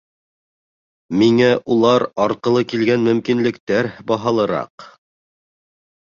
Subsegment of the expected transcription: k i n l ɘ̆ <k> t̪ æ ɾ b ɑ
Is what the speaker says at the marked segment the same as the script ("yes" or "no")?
yes